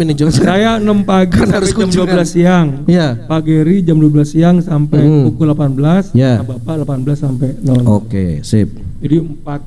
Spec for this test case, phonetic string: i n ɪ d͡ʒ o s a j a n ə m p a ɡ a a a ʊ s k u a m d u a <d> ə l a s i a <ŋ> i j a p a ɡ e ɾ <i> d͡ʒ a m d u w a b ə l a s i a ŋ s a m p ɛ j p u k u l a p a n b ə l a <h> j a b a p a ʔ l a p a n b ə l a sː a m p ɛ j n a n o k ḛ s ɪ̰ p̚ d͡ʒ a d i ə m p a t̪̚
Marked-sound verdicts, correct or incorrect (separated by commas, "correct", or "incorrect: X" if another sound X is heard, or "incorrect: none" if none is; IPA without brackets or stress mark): incorrect: b, correct, correct, incorrect: s